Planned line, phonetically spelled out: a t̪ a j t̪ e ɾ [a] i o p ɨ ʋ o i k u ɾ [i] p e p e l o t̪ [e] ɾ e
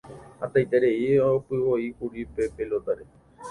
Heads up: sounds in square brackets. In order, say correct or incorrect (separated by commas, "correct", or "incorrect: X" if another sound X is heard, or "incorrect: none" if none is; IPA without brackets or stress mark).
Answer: incorrect: e, correct, incorrect: a